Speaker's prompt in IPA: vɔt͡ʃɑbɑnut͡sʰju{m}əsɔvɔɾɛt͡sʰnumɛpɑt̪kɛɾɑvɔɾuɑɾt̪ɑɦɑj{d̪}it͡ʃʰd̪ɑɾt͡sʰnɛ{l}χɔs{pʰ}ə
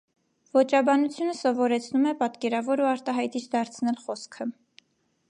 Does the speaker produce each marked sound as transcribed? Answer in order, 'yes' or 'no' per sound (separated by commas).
no, no, yes, no